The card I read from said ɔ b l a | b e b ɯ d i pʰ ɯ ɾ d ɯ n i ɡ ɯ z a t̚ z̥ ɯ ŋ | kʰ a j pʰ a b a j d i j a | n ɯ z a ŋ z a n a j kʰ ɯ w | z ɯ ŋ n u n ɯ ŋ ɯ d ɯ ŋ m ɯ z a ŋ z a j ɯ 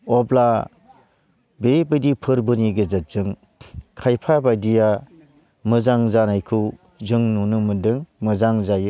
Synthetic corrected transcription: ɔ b l a | b e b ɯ d i pʰ ɯ ɾ b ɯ n i ɡ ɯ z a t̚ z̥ ɯ ŋ | kʰ a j pʰ a b a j d i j a | m ɯ z a ŋ z a n a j kʰ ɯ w | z ɯ ŋ n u n ɯ m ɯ d ɯ ŋ m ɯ z a ŋ z a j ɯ